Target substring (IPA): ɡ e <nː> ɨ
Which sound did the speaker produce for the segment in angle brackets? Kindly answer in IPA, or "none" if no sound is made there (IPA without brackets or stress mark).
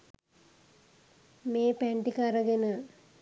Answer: n